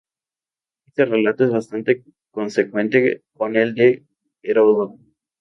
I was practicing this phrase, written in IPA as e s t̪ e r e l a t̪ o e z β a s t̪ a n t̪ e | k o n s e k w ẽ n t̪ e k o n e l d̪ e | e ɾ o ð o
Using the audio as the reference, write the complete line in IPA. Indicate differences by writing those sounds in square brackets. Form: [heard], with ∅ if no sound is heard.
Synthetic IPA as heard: e s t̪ e r e l a t̪ o e z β a s t̪ a n t̪ e | k o n s e k w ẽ n t̪ e k o n e l d̪ e | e ɾ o ð o